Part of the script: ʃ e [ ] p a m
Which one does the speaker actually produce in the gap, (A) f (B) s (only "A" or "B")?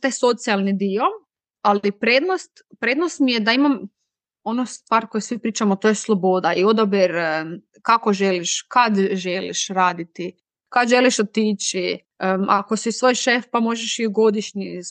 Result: A